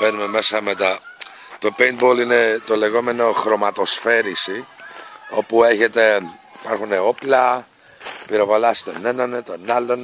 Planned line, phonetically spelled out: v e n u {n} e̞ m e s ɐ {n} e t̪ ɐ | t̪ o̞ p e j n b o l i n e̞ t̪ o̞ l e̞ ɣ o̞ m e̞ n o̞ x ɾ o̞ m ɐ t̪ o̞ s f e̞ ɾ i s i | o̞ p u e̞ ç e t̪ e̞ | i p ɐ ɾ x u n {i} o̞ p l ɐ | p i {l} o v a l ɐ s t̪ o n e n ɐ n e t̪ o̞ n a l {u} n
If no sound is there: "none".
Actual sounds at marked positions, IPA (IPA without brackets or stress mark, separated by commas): m, m, e, ɾ, o